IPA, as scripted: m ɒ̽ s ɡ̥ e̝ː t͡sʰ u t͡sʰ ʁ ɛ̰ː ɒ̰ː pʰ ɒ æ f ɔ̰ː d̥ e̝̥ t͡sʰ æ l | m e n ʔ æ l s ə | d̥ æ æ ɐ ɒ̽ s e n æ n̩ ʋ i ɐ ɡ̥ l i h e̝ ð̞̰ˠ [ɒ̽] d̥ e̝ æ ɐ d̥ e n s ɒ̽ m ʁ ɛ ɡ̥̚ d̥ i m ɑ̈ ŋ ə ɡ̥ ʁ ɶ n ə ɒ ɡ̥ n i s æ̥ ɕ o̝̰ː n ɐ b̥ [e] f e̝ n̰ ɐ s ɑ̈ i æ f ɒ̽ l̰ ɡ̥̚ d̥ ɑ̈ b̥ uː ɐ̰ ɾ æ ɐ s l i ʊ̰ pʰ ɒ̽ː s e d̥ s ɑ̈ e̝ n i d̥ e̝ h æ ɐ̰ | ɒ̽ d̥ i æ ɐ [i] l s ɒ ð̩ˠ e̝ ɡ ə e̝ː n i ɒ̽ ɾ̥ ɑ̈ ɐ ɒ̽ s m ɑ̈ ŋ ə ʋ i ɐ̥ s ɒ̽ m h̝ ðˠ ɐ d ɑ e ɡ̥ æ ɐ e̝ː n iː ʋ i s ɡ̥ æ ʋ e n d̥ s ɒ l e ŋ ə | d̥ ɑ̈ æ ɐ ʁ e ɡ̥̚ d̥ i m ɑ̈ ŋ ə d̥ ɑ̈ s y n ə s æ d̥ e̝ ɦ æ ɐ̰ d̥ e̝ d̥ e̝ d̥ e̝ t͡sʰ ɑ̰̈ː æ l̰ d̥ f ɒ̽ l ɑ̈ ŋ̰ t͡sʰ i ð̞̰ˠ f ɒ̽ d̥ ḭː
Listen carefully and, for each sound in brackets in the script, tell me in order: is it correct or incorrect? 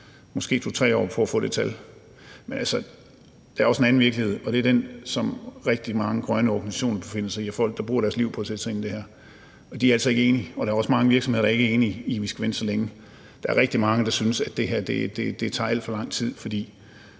correct, correct, incorrect: æ

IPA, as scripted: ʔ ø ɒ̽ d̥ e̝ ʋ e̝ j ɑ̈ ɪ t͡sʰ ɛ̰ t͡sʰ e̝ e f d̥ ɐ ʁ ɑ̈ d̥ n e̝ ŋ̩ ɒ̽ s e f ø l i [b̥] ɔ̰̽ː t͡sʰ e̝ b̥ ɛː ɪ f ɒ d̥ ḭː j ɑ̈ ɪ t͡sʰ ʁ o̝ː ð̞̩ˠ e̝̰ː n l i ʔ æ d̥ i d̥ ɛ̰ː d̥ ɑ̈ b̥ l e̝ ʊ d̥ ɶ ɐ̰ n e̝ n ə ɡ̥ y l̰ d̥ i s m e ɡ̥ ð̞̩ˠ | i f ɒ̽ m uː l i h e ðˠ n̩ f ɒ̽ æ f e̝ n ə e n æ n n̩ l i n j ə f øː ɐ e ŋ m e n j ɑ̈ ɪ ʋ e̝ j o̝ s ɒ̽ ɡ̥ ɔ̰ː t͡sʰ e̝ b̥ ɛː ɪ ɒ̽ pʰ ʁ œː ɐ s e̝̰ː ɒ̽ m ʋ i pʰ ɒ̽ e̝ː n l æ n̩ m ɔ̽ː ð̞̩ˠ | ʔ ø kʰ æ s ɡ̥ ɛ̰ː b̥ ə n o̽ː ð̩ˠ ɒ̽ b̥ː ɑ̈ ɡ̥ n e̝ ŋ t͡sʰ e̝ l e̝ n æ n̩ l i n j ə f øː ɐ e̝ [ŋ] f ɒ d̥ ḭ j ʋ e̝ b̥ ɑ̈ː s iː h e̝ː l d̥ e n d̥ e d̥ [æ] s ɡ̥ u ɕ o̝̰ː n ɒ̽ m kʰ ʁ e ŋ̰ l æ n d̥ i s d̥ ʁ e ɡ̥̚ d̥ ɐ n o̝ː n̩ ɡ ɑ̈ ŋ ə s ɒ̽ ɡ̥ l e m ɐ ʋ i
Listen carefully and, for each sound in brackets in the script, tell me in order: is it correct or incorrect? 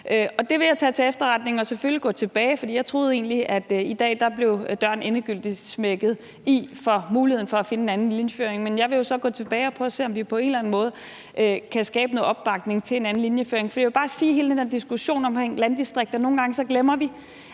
incorrect: ɡ̥, correct, incorrect: i

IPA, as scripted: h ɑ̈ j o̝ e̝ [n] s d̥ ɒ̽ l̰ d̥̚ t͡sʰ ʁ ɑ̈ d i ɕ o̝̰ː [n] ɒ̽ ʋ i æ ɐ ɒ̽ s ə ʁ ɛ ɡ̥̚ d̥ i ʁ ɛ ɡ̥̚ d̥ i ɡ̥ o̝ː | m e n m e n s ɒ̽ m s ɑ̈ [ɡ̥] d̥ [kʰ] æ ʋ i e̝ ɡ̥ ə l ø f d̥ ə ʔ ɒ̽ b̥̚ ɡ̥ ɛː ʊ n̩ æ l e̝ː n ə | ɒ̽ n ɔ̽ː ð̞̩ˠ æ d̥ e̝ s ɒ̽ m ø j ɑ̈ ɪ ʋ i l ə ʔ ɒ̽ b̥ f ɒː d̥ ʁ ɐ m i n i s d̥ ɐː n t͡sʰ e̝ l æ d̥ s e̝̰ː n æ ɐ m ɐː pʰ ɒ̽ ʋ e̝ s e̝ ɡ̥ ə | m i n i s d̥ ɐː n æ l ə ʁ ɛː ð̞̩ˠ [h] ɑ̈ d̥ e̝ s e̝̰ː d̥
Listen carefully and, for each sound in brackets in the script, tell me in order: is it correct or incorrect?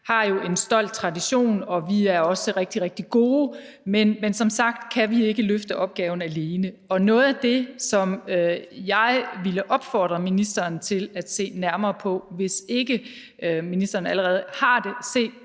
correct, correct, correct, correct, correct

